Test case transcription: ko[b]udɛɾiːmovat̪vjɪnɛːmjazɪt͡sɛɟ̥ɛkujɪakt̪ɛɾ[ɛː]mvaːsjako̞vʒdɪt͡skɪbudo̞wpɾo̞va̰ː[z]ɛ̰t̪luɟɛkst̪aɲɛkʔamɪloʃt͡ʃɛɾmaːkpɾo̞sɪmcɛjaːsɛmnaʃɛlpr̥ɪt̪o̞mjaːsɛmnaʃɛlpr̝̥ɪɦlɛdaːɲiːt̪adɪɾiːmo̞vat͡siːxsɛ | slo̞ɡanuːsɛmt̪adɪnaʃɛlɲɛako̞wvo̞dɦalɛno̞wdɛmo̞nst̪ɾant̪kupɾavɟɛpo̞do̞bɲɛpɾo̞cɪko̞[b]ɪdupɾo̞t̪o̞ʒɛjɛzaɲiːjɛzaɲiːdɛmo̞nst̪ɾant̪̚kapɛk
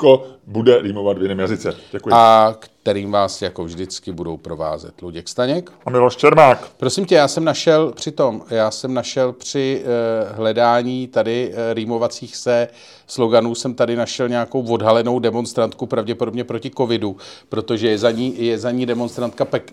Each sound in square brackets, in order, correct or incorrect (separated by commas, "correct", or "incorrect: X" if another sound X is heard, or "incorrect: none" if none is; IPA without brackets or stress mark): correct, incorrect: iː, correct, incorrect: v